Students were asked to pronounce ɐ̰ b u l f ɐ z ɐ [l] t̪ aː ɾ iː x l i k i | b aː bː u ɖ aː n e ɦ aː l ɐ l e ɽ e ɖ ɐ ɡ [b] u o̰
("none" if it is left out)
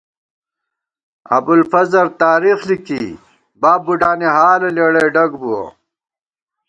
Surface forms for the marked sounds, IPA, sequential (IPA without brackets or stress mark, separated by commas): ɾ, b